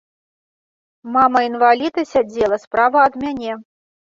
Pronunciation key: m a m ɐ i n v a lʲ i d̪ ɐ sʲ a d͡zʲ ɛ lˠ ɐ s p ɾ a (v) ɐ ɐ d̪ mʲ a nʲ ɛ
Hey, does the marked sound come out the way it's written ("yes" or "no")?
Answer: yes